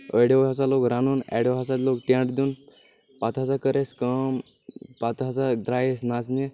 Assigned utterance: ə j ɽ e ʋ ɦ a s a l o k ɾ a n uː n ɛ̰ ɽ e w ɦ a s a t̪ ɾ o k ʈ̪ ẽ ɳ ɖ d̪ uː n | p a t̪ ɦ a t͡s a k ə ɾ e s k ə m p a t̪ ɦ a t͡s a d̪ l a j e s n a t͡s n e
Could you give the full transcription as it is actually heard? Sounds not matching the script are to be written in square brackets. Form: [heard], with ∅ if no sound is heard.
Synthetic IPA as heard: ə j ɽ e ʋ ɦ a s a l o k ɾ a n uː n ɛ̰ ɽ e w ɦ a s a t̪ [l] o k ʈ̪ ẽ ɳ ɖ d̪ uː n | p a t̪ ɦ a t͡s a k ə ɾ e s k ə m p a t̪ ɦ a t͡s a d̪ [ɾ] a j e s n a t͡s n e